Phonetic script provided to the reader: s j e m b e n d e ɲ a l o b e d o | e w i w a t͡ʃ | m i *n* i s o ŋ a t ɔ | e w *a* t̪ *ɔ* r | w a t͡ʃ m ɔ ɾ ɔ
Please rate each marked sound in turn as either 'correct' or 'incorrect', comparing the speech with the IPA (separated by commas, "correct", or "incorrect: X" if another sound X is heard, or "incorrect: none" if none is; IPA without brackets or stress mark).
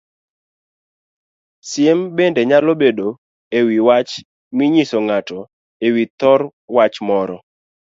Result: incorrect: ɲ, incorrect: i, correct